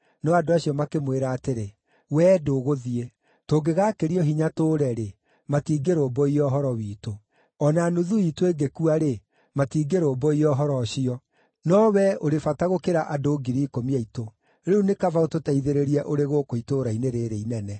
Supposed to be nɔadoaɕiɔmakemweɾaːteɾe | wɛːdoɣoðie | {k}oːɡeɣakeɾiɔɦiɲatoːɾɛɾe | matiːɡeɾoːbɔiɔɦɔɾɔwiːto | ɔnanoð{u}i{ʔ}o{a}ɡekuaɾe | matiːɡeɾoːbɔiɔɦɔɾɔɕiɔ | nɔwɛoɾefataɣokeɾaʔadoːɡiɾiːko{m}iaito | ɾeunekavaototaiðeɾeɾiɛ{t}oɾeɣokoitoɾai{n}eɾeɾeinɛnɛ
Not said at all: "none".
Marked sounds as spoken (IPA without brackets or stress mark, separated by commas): t, u, t, e, m, ʔ, n